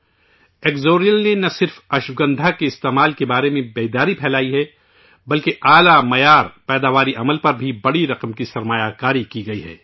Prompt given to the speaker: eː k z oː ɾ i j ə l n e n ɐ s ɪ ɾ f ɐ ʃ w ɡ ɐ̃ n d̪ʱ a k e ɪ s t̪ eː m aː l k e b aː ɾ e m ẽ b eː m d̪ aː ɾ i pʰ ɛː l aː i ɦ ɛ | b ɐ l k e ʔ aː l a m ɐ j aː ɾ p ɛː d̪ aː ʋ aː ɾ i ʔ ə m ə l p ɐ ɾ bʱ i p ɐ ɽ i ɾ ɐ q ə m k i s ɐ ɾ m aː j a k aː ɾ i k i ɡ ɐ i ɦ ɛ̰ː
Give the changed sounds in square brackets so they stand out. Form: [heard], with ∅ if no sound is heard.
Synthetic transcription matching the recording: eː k z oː ɾ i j ə l n e n ɐ s ɪ ɾ f ɐ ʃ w ɡ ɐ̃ n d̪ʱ a k e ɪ s t̪ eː m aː l k e b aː ɾ e m ẽ b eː [∅] d̪ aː ɾ i pʰ ɛː l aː i ɦ ɛ | b ɐ l k e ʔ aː l a m ɐ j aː ɾ p ɛː d̪ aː ʋ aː ɾ i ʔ [ɐ] m ə l p ɐ ɾ bʱ i [b] ɐ ɽ i ɾ ɐ q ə m k i s ɐ ɾ m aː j a k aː ɾ i k i ɡ ɐ i ɦ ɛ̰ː